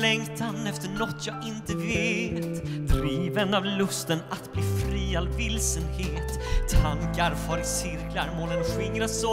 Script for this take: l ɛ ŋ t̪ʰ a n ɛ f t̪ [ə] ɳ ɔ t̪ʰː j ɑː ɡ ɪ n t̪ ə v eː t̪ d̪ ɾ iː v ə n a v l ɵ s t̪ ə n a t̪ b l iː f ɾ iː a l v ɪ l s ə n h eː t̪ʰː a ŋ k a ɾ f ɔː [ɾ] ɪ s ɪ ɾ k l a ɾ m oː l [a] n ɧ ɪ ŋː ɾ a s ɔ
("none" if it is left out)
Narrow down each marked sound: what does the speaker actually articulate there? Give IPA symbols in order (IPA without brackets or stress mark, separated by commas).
ə, ɾ, ə